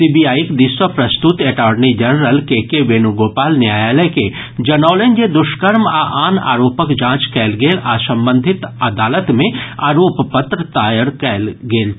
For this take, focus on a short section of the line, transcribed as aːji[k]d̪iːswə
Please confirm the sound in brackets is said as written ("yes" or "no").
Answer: yes